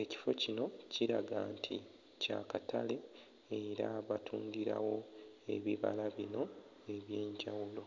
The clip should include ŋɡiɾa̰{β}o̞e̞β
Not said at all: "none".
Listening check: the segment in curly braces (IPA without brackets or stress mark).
w